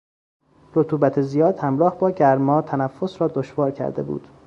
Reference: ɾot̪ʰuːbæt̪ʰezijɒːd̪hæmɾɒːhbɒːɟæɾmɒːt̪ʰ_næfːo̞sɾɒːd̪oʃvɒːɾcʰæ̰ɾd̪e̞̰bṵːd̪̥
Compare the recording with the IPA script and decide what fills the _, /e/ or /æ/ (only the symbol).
æ